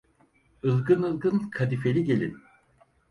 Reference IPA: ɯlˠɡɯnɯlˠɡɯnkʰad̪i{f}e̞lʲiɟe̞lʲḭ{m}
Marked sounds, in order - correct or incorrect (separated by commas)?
correct, incorrect